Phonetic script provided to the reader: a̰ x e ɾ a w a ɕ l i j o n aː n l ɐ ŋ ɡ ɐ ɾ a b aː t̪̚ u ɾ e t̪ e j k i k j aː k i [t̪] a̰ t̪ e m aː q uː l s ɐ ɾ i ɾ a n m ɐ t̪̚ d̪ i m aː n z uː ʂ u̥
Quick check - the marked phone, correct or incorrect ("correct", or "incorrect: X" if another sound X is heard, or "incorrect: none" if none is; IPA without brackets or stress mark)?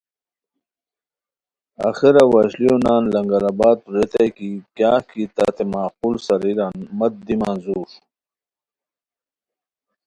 correct